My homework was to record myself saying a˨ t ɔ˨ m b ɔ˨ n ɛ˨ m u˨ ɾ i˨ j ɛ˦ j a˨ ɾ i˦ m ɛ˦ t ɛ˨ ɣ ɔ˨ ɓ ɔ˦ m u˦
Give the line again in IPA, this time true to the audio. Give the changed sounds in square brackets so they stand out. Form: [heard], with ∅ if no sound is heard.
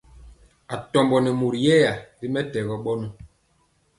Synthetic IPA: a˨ t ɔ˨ m b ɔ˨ n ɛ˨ m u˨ ɾ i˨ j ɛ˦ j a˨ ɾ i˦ m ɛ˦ t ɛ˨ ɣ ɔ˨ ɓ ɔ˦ [n] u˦